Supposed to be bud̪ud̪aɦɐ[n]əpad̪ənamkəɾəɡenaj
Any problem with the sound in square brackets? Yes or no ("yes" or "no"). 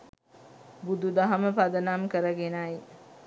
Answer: yes